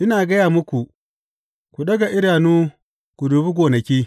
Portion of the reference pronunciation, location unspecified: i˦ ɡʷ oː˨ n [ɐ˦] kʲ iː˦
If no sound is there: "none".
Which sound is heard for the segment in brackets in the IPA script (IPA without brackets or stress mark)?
ɐ˨